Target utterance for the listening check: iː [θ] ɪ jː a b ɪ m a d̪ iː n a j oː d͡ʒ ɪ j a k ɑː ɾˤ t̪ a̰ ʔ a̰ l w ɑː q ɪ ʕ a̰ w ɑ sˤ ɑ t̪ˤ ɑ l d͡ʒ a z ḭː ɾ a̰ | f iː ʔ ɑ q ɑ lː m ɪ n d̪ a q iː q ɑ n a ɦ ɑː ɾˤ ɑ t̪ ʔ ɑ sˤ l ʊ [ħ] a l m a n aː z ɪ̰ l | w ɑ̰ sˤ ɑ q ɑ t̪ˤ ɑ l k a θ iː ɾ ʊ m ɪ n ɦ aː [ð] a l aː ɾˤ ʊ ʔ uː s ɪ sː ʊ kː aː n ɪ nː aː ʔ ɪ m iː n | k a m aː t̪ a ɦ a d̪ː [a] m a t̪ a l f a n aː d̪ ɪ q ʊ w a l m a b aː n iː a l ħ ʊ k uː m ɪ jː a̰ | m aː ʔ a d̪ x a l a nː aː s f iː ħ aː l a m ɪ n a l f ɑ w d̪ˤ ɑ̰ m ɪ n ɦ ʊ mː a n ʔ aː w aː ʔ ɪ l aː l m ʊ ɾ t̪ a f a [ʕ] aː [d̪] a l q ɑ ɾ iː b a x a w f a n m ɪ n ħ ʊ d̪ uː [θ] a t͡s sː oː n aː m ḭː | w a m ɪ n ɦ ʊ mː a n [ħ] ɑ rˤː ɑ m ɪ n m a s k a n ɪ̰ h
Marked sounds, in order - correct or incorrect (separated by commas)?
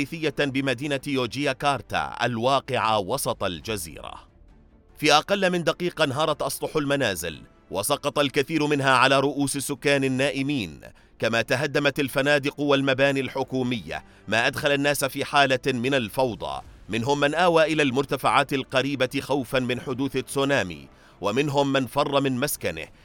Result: correct, correct, incorrect, correct, correct, incorrect, correct, incorrect